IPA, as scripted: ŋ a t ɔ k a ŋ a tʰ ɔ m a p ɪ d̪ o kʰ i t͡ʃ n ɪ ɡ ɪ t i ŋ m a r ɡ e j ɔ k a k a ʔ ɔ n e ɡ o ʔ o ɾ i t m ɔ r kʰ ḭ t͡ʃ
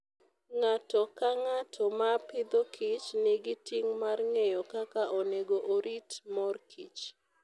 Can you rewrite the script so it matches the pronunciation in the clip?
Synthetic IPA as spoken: ŋ a t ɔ k a ŋ a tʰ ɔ m a p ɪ d̪ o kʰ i t͡ʃ n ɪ ɡ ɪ t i ŋ m a r ŋ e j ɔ k a k a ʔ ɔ n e ɡ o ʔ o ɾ i t m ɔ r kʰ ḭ t͡ʃ

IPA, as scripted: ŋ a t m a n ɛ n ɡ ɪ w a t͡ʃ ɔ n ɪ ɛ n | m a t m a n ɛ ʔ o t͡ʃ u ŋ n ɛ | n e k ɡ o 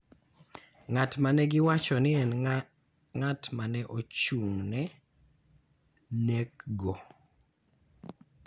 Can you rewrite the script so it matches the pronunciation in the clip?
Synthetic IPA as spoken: ŋ a t m a n ɛ ɡ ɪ w a t͡ʃ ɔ n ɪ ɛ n | ŋ a t m a n ɛ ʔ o t͡ʃ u ŋ n ɛ | n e k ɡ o

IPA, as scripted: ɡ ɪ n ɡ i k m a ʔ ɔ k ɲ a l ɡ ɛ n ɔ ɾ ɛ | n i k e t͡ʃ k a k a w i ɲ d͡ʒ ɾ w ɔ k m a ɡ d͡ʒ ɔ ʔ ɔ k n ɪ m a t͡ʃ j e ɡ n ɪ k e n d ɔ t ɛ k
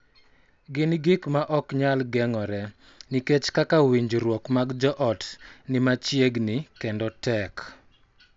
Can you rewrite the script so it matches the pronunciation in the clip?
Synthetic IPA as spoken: ɡ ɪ n ɡ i k m a ʔ ɔ k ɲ a l ɡ ɛ ŋ ɔ ɾ ɛ | n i k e t͡ʃ k a k a w i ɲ d͡ʒ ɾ w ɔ k m a ɡ d͡ʒ ɔ ʔ ɔ t n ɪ m a t͡ʃ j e ɡ n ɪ k e n d ɔ t ɛ k

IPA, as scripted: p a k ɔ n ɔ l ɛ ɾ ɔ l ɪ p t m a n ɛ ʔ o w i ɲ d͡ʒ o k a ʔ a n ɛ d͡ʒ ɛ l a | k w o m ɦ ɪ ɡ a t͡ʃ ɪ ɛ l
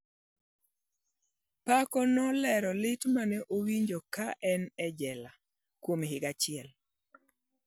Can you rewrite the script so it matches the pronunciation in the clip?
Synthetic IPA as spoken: p a k ɔ n ɔ l ɛ ɾ ɔ l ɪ t m a n ɛ ʔ o w i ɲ d͡ʒ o k a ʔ ɛ n ɛ d͡ʒ ɛ l a | k w o m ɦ ɪ ɡ a t͡ʃ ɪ ɛ l

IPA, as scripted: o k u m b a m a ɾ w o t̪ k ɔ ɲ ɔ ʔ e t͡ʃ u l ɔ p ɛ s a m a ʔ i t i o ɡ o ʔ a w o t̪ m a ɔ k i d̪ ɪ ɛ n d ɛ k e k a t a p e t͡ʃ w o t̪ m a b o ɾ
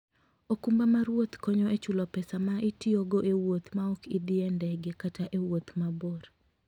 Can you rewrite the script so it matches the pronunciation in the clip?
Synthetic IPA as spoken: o k u m b a m a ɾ w o t̪ k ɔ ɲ ɔ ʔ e t͡ʃ u l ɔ p ɛ s a m a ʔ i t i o ɡ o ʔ e w o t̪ m a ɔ k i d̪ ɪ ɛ n d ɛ ɡ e k a t a ʔ e w o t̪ m a b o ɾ

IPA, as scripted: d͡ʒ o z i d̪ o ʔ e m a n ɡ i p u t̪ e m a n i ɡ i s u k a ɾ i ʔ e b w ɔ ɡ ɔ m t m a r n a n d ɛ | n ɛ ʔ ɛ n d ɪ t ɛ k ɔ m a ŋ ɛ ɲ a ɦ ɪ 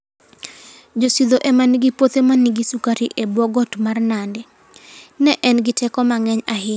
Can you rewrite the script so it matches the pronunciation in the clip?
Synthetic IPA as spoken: d͡ʒ o s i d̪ o ʔ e m a n ɡ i p o t̪ e m a n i ɡ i s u k a ɾ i ʔ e b w ɔ ɡ ɔ t m a r n a n d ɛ | n ɛ ʔ ɛ n ɡ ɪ t ɛ k ɔ m a ŋ ɛ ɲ a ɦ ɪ

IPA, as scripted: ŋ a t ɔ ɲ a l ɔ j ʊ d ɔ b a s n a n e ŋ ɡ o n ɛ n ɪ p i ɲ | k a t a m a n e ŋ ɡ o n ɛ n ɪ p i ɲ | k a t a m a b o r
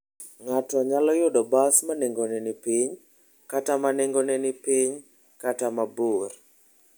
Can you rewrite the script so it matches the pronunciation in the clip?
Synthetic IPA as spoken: ŋ a t ɔ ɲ a l ɔ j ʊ d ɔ b a s m a n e ŋ ɡ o n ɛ n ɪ p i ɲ | k a t a m a n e ŋ ɡ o n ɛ n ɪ p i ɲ | k a t a m a b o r

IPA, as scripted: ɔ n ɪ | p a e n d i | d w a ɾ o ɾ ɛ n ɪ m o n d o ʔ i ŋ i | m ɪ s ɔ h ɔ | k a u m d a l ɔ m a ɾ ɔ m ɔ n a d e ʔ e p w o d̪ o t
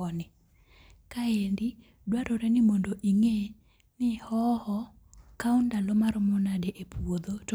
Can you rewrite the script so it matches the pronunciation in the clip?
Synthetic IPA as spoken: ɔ n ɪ | k a e n d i | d w a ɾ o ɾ ɛ n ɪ m o n d o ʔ i ŋ e | n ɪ h ɔ h ɔ | k a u n d a l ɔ m a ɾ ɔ m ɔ n a d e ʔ e p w o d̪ o t

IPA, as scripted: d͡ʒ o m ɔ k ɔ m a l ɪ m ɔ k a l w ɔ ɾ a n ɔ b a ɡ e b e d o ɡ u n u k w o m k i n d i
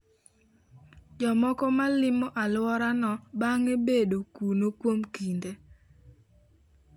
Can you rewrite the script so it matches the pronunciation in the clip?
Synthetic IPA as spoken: d͡ʒ ɔ m ɔ k ɔ m a l ɪ m ɔ ʔ a l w ɔ ɾ a n ɔ b a ŋ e b e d o k u n o k w o m k i n d e

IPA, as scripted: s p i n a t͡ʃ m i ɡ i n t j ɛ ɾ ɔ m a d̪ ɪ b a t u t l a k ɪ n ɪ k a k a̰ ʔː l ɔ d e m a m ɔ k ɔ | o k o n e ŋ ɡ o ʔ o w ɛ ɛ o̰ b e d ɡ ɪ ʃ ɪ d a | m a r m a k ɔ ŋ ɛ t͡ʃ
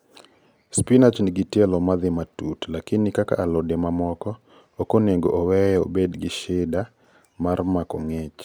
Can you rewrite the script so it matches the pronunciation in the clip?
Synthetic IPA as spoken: s p i n a t͡ʃ n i ɡ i t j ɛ l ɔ m a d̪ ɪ m a t u t l a k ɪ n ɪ k a k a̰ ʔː l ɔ d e m a m ɔ k ɔ | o k o n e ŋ ɡ o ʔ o w ɛ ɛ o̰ b e d ɡ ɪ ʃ ɪ d a | m a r m a k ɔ ŋ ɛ t͡ʃ

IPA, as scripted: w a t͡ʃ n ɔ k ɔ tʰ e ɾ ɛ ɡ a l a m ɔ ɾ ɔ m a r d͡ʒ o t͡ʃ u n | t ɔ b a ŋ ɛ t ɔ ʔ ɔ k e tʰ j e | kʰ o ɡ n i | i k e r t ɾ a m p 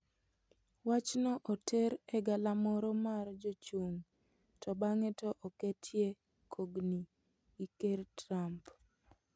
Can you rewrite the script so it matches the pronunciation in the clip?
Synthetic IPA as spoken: w a t͡ʃ n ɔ ʔ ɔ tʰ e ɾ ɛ ɡ a l a m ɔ ɾ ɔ m a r d͡ʒ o t͡ʃ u ŋ | t ɔ b a ŋ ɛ t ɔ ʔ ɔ k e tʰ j e | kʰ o ɡ n i | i k e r t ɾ a m p

